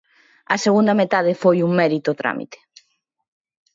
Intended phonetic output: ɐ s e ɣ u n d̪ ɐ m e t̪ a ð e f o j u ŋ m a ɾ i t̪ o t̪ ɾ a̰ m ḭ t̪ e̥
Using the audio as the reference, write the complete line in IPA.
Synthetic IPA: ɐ s e ɣ u n d̪ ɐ m e t̪ a ð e f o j u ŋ m ɛ ɾ i t̪ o t̪ ɾ a̰ m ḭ t̪ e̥